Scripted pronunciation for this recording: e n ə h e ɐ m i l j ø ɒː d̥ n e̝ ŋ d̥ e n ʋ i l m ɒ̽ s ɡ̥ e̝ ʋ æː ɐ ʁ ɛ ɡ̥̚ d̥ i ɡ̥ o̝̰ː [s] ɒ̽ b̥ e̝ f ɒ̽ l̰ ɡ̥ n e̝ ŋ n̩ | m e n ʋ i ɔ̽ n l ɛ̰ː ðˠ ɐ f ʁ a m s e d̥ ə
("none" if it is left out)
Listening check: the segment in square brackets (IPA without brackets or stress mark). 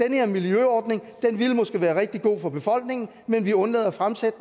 f